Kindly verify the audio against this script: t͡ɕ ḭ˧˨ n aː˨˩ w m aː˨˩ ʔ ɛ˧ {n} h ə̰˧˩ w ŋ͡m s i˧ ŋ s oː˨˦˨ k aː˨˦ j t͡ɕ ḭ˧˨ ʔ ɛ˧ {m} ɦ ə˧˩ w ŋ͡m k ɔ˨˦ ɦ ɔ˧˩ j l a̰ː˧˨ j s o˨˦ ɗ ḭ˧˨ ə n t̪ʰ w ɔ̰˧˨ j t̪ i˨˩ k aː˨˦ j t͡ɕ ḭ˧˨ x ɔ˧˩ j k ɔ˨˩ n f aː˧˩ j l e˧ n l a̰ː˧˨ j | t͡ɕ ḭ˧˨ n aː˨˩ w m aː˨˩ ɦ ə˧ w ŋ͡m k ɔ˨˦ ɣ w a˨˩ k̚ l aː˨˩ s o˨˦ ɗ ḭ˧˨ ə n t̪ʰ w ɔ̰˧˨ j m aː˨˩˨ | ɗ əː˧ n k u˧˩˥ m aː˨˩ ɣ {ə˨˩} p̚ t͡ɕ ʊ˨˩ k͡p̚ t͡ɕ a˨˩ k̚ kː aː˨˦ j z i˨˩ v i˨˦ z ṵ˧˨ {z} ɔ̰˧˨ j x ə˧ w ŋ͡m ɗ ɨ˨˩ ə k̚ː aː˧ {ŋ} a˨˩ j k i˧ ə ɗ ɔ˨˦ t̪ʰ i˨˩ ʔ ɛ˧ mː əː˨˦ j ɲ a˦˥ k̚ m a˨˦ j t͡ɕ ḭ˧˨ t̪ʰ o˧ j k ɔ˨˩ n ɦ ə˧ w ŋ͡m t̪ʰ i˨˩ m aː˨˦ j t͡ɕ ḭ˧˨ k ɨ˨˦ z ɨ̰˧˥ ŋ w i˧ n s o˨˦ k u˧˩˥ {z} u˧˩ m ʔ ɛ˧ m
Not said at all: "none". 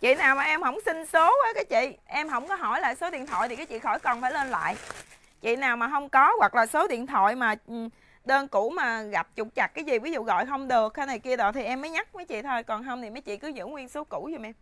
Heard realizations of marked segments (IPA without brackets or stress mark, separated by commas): m, m, a˨˩, ɣ, n, z